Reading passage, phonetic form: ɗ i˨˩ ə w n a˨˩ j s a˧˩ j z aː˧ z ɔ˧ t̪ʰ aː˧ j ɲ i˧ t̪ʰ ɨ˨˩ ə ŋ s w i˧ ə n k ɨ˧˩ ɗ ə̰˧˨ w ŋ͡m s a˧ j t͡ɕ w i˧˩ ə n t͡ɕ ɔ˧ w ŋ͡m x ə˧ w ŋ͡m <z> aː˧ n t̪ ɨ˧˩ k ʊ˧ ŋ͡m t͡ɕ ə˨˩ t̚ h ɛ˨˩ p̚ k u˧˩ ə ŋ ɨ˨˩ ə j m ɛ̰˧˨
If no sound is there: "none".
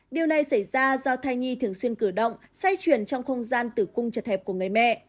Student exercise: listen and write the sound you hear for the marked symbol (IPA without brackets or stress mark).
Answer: z